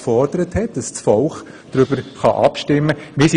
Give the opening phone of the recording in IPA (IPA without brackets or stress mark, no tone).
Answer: f